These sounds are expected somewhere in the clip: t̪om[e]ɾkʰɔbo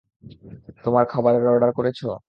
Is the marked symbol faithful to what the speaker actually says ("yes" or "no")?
no